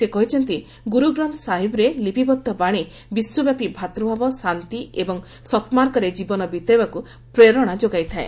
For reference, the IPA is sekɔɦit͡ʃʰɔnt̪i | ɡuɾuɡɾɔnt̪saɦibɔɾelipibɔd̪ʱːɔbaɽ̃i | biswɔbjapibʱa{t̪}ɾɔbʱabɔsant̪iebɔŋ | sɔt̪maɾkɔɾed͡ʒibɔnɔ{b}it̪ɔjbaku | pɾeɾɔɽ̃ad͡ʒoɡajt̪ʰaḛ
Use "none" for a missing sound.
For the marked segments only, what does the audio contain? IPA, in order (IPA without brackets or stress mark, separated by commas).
t̪, b